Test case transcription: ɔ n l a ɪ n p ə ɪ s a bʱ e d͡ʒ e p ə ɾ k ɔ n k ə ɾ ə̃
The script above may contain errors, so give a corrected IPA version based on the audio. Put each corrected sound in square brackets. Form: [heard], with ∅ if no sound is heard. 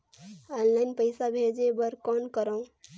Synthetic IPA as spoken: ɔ n l a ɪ n p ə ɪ s a bʱ e d͡ʒ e [b] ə ɾ k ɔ n k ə ɾ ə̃